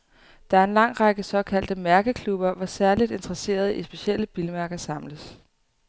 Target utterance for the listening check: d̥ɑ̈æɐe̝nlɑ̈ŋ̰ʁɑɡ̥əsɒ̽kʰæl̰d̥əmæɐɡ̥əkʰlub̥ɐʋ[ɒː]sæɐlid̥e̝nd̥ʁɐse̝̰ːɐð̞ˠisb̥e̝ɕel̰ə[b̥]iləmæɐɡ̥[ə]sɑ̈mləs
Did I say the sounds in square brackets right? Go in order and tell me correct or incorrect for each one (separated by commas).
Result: incorrect, correct, incorrect